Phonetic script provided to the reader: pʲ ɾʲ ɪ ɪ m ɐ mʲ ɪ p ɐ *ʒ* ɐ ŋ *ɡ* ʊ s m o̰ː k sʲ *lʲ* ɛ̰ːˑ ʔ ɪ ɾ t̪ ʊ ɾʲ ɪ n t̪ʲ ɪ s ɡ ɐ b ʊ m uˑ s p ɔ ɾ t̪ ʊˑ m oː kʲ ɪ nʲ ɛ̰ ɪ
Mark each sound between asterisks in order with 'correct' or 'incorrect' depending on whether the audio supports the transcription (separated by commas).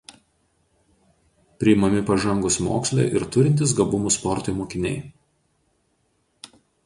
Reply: correct, correct, correct